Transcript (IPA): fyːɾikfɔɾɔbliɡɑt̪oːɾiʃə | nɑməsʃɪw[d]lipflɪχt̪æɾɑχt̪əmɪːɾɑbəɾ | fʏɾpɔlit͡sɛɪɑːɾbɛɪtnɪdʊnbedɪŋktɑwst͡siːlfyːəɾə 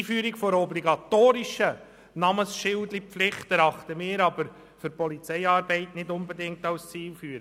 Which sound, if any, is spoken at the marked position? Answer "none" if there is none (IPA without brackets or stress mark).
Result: d